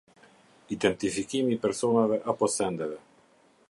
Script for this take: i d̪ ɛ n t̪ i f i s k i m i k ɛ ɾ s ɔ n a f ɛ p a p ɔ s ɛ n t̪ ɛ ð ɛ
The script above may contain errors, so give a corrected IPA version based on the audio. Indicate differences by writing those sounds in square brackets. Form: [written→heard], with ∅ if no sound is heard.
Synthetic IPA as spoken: i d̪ ɛ n t̪ i f i [s→∅] k i m i [k→p] ɛ ɾ s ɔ n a [f→v] ɛ [p→ʔ] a p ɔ s ɛ n [t̪→d̪] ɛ [ð→v] ɛ